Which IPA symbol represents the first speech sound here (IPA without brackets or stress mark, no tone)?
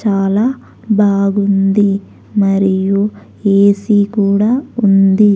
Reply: t͡ʃ